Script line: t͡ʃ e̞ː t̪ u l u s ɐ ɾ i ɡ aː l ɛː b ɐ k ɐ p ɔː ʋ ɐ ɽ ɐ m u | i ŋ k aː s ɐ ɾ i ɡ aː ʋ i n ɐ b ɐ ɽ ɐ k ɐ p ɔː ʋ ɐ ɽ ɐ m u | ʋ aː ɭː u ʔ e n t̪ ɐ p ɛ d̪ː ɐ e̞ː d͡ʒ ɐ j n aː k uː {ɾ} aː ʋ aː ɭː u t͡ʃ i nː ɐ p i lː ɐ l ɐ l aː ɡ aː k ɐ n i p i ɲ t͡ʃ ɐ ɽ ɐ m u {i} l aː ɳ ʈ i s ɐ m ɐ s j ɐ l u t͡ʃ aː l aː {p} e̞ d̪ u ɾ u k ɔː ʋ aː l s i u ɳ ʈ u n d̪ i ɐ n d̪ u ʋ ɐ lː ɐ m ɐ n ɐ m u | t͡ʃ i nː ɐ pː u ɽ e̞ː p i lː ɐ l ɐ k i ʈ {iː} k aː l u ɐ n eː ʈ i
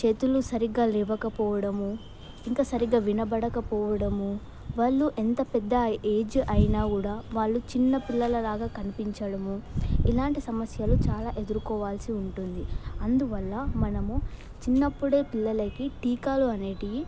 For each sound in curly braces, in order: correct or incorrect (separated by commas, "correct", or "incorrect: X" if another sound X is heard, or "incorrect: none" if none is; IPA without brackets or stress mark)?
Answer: incorrect: ɽ, correct, incorrect: ʔ, correct